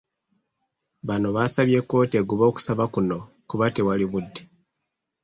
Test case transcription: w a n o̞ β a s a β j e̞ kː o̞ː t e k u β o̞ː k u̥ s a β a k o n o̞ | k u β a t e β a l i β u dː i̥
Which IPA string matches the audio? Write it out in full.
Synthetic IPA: β a n o̞ β a s a β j e̞ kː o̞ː t e ɡ u β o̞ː k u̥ s a β a k u n o̞ | k u β a t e w a l i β u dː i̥